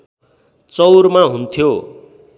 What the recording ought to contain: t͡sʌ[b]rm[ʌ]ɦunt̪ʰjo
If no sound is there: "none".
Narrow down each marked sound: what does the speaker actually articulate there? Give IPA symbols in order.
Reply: w, a

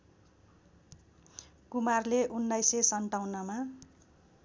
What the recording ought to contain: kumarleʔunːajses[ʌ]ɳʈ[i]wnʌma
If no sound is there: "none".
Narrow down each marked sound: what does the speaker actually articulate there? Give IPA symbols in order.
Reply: ʌ, a

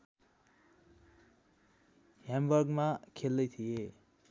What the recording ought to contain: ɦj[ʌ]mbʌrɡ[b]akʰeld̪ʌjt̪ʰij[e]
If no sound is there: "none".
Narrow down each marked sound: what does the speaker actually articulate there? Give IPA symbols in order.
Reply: a, m, e

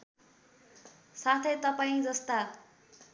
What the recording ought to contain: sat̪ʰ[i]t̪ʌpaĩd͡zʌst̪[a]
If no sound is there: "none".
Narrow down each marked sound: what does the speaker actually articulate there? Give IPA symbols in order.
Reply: e, a

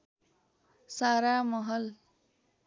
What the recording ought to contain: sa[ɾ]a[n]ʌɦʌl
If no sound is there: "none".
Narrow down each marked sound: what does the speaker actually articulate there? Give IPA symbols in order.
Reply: ɾ, m

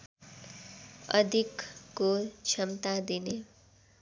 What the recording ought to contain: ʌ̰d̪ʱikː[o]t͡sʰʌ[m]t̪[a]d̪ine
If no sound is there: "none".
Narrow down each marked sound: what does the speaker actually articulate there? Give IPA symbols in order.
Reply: o, m, a

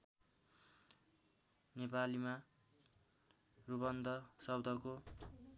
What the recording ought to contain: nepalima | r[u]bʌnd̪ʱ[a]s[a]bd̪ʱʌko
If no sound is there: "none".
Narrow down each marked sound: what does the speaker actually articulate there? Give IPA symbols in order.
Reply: u, ʌ, ʌ

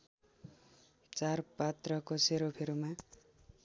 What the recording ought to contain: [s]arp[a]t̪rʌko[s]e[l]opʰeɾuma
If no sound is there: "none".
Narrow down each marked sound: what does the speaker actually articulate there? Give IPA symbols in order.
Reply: t͡s, a, s, ɾ

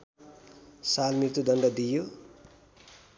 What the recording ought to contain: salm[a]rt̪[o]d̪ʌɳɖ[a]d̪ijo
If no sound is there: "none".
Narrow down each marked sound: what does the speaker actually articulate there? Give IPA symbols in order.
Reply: i, u, ʌ

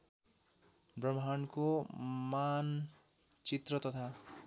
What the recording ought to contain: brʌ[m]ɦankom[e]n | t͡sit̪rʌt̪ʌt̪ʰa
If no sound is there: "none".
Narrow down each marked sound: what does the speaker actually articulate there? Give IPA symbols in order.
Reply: m, a

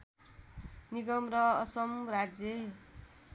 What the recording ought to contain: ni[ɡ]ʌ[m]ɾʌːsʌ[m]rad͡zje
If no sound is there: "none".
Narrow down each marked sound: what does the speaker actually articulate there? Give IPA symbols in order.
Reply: ɡ, m, m

